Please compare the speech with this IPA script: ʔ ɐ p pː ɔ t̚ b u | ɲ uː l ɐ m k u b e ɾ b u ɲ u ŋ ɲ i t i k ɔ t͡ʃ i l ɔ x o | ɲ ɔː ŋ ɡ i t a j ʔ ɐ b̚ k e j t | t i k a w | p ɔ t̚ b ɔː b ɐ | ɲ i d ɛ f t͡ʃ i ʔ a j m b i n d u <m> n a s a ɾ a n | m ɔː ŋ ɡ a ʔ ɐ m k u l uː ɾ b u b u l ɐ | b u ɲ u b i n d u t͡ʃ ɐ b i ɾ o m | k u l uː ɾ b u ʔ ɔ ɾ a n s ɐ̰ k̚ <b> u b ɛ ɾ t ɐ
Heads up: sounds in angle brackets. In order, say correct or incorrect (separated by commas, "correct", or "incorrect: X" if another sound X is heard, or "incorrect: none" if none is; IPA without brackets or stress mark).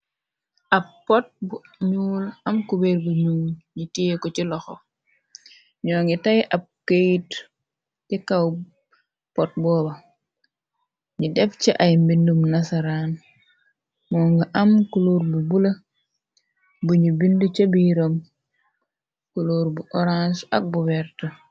correct, correct